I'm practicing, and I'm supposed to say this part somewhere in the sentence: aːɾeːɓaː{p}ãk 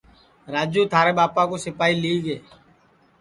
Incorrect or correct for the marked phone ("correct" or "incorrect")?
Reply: correct